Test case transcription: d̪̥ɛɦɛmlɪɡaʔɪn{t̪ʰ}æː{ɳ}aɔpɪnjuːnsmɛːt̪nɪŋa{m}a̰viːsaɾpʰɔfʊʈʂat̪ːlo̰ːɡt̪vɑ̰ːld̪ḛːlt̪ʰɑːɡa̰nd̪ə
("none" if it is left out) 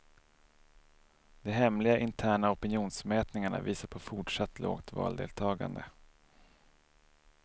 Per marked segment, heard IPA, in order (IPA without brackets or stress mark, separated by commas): t̪ʰ, ɳ, ɳ